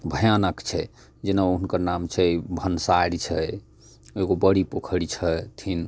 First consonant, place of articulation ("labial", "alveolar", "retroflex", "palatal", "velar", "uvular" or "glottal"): labial